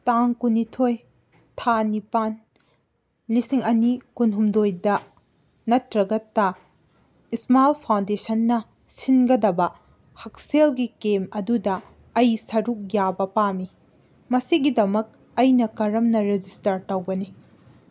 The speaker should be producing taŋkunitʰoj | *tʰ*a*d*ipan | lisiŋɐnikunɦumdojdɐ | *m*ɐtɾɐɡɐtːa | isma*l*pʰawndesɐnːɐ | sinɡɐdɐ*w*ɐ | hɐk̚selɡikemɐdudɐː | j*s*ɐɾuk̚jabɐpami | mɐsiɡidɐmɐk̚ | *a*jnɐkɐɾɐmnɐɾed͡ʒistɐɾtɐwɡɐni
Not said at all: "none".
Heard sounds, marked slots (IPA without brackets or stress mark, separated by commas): tʰ, n, n, l, b, s, ɐ